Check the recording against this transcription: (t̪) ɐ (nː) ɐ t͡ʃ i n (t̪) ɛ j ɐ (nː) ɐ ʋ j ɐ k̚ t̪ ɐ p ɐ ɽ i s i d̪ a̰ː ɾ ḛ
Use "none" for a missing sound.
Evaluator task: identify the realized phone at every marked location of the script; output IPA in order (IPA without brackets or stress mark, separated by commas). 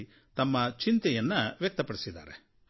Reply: t̪, mː, t̪, nː